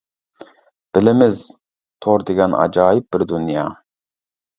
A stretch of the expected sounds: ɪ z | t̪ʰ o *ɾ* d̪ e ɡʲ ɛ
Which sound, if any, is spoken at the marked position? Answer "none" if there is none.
ɾ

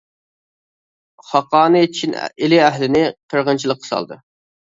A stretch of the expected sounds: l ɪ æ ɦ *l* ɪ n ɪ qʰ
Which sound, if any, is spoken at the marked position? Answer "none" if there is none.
l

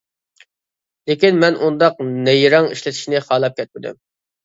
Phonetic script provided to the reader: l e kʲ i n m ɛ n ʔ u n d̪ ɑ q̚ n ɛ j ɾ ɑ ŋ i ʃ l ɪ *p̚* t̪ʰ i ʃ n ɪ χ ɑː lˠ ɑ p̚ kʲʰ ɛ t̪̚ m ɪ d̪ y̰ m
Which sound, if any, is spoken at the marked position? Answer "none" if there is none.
none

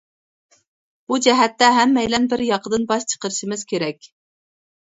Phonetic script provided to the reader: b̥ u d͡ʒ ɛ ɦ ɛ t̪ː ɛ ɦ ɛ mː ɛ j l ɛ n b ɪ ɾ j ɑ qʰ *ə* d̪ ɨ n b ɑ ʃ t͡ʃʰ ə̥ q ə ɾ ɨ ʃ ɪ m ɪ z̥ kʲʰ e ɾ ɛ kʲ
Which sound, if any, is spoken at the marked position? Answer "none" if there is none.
ə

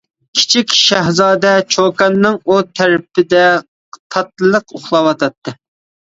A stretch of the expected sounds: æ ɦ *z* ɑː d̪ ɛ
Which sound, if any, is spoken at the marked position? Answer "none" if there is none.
z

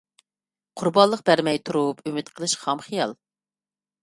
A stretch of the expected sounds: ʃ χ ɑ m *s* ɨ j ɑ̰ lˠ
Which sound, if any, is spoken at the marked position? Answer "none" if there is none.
χ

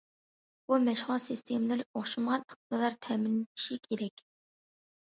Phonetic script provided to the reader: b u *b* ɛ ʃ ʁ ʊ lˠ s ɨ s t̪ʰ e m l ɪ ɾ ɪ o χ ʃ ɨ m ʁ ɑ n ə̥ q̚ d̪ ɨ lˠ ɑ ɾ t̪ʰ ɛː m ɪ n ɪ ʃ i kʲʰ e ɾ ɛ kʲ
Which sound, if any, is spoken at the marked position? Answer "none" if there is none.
m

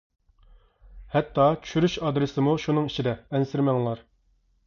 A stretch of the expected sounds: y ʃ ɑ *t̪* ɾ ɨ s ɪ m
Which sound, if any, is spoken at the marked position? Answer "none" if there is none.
d̪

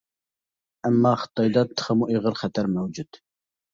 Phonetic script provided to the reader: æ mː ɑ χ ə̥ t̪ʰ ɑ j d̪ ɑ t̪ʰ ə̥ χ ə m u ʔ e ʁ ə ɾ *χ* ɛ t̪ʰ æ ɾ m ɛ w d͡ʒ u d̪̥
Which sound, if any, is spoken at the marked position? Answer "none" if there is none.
χ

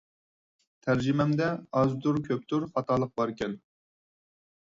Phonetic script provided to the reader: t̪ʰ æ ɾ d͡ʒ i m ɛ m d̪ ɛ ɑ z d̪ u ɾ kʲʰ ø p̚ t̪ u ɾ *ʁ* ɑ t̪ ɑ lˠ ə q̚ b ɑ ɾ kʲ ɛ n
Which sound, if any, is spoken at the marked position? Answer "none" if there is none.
χ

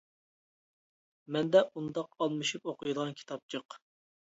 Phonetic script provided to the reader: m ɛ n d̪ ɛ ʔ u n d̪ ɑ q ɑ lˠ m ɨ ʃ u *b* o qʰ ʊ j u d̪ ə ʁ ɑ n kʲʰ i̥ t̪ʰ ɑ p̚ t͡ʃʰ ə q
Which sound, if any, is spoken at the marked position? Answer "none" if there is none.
p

